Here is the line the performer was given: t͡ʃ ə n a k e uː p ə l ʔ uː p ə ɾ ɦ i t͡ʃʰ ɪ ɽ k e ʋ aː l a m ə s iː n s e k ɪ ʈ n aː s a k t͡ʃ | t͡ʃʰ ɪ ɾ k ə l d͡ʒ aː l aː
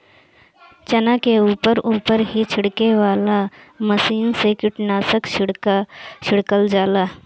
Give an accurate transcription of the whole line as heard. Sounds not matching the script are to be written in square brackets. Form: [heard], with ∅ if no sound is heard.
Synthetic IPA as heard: t͡ʃ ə n a k e uː p ə [ɾ] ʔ uː p ə ɾ ɦ i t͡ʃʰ ɪ ɽ k e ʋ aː l a m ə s iː n s e k ɪ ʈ n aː s [ə] k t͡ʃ | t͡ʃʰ ɪ [ɽ] k ə l d͡ʒ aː l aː